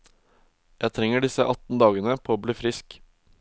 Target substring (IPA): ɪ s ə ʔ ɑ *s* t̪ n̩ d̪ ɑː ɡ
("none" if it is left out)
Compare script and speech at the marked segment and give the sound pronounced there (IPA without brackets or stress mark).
none